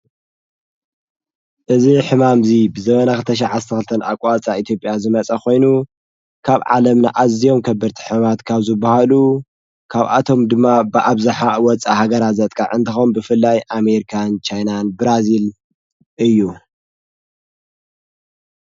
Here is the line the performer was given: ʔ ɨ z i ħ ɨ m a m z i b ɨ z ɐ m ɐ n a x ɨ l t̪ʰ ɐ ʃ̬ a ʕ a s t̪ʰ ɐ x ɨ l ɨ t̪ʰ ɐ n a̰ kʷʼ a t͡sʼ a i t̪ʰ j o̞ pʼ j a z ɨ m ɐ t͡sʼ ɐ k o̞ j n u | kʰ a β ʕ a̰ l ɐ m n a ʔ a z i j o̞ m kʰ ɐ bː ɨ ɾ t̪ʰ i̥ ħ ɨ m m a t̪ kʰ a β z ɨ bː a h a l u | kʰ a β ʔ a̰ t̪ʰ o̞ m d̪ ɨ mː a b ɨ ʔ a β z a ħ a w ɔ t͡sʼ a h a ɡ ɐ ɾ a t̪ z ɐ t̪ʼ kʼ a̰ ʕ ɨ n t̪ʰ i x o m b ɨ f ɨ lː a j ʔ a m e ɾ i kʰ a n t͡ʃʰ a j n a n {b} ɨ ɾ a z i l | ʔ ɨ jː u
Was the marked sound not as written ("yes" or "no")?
no